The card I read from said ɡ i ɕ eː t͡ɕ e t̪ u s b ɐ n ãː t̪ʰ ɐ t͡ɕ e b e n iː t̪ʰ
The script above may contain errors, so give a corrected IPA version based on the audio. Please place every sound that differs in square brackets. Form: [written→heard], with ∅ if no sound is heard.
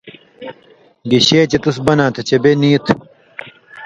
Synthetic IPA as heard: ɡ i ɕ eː t͡ɕ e t̪ u s b ɐ n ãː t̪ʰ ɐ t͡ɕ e b e n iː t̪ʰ